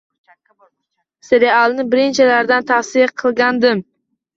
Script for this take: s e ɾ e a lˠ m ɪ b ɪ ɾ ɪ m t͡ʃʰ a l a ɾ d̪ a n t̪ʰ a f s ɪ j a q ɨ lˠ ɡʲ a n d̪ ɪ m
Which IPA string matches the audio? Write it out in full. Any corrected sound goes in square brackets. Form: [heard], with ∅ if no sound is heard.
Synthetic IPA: s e ɾ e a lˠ [n] ɪ b ɪ ɾ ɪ [n] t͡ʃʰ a l a ɾ d̪ a n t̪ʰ a f s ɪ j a [qʰ] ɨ lˠ ɡʲ a n d̪ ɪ m